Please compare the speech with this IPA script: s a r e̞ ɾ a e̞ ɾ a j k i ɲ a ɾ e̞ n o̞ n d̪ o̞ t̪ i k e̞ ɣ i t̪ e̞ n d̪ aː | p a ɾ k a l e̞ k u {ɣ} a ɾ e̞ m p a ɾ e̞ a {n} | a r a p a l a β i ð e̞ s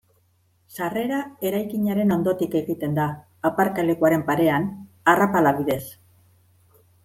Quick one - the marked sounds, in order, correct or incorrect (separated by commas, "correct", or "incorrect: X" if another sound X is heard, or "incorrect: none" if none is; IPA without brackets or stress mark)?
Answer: incorrect: none, correct